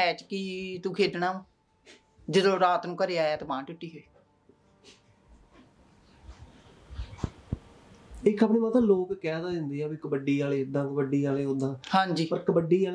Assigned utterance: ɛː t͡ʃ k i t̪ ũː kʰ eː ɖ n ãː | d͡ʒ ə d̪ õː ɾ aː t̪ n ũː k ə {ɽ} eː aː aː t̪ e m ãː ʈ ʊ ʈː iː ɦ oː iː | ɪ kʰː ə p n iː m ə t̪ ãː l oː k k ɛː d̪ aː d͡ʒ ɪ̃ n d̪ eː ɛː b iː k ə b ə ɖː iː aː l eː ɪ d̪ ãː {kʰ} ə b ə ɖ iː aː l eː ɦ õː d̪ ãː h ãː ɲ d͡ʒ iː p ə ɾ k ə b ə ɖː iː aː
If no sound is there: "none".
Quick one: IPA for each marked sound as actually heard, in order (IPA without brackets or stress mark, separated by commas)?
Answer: ɾ, k